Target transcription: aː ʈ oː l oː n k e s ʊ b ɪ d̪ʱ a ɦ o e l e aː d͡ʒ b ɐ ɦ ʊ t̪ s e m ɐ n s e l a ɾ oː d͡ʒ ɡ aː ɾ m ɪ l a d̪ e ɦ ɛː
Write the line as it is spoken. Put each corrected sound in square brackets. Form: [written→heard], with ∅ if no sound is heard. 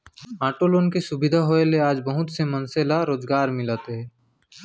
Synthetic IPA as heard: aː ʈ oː l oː n k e s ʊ b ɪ d̪ʱ a ɦ o e l e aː d͡ʒ b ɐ ɦ ʊ t̪ s e m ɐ n s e l a ɾ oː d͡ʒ ɡ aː ɾ m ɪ l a [d̪→t̪] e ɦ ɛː

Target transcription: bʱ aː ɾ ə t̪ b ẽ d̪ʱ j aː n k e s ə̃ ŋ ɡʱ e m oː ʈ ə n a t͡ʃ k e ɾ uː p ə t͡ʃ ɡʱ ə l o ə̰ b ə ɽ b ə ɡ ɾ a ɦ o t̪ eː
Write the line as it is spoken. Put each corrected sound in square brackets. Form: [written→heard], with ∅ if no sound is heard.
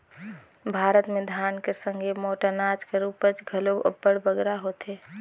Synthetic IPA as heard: bʱ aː ɾ ə t̪ [b→m] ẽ d̪ʱ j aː n k e s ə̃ ŋ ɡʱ e m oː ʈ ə n a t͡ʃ k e ɾ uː p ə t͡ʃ ɡʱ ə l o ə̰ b ə ɽ b ə ɡ ɾ a ɦ o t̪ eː

